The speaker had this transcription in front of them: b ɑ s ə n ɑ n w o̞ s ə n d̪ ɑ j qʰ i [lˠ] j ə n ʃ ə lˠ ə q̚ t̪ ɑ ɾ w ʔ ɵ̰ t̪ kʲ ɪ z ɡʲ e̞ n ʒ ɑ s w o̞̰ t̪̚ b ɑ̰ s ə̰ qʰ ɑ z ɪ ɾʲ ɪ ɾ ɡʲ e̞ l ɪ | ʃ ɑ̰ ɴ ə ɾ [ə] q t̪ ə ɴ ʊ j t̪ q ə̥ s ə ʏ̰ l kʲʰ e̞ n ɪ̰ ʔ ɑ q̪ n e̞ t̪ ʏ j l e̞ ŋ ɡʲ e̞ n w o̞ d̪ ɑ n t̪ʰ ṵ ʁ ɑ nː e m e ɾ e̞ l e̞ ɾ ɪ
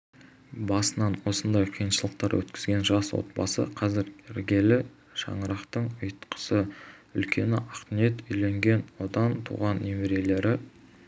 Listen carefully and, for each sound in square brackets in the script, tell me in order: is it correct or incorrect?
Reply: incorrect: none, incorrect: ɑ

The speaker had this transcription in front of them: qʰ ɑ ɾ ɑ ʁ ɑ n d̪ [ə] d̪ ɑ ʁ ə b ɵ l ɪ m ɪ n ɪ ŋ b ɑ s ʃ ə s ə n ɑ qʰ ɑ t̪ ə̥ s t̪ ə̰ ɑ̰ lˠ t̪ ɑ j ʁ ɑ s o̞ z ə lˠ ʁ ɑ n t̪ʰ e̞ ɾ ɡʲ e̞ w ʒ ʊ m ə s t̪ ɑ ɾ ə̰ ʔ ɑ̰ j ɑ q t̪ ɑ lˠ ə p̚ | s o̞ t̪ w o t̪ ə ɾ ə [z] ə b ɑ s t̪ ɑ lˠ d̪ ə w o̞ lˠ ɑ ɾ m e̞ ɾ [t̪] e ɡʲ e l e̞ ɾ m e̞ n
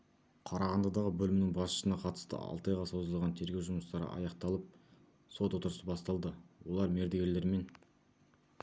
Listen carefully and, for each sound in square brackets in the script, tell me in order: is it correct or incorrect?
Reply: incorrect: ɑ, incorrect: s, incorrect: d̪

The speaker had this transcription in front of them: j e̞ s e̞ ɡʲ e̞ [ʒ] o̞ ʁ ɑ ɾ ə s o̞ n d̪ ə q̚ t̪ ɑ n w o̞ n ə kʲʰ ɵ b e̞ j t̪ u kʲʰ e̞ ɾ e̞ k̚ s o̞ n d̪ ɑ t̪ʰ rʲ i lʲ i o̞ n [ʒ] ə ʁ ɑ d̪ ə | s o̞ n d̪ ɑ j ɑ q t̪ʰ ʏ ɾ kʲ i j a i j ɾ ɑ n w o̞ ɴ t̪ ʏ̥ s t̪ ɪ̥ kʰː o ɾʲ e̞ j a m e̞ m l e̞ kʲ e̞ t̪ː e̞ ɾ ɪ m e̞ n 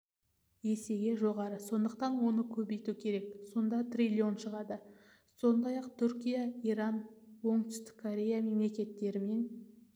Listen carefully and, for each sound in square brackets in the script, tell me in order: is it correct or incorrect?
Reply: correct, incorrect: ʃ

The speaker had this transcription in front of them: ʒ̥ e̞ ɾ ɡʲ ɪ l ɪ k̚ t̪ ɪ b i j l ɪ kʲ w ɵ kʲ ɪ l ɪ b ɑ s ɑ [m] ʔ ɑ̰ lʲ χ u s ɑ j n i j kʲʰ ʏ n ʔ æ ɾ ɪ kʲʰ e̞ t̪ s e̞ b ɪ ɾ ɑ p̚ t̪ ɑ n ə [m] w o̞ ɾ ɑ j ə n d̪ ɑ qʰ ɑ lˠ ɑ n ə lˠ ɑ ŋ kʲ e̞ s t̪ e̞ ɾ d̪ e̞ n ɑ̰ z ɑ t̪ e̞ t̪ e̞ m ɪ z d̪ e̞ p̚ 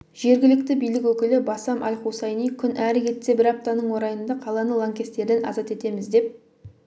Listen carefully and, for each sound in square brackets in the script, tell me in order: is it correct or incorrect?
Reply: correct, incorrect: ɴ

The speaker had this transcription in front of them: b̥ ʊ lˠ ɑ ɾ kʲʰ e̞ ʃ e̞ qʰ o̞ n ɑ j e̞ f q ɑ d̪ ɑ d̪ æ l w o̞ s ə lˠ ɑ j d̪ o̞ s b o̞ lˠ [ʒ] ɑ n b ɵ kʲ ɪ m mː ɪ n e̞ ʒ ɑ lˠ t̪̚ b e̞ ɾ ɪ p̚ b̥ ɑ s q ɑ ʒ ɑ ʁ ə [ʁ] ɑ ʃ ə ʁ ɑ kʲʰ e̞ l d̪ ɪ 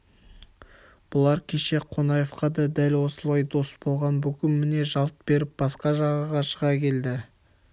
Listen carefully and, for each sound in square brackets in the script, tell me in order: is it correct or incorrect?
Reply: incorrect: ʁ, correct

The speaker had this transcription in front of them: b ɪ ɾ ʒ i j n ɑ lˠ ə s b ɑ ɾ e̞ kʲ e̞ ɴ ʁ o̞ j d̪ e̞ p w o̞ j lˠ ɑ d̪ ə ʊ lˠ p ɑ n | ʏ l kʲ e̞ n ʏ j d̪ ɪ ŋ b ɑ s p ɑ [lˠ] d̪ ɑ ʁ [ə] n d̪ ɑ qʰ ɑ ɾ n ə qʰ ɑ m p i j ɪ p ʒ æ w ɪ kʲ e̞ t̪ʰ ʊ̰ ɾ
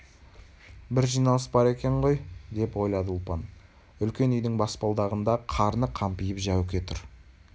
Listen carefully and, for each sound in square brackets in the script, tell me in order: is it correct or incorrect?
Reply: correct, correct

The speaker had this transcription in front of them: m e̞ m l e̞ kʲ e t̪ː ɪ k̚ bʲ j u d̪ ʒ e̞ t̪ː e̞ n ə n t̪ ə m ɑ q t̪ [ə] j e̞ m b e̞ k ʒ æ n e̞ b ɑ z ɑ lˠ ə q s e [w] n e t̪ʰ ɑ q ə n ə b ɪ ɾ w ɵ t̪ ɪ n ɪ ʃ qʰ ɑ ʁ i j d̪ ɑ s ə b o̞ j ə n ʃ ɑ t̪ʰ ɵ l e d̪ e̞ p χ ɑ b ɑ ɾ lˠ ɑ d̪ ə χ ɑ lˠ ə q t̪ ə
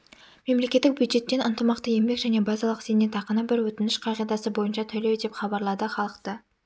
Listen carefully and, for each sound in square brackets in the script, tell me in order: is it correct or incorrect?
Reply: correct, incorrect: none

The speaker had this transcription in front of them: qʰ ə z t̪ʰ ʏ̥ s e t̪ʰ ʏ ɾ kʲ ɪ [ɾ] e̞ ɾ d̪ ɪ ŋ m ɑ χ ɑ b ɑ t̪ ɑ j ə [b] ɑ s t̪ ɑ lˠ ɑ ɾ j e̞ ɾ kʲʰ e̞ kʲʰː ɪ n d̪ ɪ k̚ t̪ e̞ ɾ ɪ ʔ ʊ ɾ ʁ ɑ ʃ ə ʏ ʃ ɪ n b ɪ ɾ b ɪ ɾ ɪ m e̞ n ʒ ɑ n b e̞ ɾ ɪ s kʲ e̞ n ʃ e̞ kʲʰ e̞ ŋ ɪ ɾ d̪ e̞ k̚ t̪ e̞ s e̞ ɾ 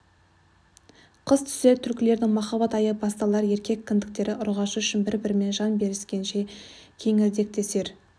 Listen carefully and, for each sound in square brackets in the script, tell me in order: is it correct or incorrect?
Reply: incorrect: l, correct

